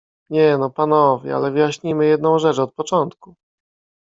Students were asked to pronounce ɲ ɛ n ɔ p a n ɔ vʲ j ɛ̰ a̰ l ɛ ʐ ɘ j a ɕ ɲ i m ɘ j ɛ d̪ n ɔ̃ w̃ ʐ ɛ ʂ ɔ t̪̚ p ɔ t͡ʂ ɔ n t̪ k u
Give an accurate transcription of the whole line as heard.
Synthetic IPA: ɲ ɛ n ɔ p a n ɔ vʲ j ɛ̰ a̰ l ɛ v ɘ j a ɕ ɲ i m ɘ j ɛ d̪ n ɔ̃ w̃ ʐ ɛ t͡ʂ ɔ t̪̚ p ɔ t͡ʂ ɔ n t̪ k u